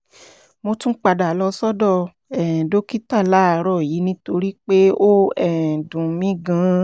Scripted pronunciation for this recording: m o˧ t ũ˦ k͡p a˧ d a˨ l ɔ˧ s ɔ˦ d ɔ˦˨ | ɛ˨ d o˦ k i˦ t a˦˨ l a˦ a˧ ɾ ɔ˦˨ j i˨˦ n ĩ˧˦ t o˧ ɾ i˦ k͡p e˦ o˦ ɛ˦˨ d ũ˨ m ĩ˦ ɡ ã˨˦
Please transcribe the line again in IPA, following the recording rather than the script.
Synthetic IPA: m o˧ t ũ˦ k͡p a˧ d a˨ l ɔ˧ s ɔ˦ d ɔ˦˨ | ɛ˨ d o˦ k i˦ t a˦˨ l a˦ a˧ ɾ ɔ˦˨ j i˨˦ n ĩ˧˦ t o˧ ɾ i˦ k͡p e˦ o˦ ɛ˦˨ d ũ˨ m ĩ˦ ɡ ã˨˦